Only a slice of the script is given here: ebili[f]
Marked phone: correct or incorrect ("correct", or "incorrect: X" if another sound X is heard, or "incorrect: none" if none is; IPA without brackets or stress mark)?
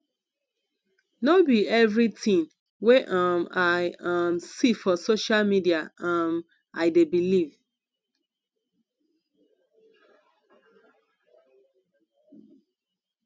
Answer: incorrect: v